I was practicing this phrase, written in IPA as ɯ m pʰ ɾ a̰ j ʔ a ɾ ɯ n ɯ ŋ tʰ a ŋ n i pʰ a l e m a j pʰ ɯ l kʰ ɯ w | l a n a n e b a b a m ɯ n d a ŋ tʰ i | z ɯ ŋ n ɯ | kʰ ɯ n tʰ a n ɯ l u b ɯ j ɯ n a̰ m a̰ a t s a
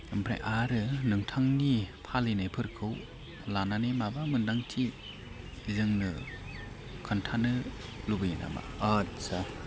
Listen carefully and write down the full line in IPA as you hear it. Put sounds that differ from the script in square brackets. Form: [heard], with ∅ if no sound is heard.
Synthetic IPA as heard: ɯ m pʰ ɾ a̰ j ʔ a ɾ ɯ n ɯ ŋ tʰ a ŋ n i pʰ a l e [n] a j pʰ ɯ [ɾ] kʰ ɯ w | l a n a n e [m] a b a m ɯ n d a ŋ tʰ i | z ɯ ŋ n ɯ | kʰ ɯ n tʰ a n ɯ l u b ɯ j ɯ n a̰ m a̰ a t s a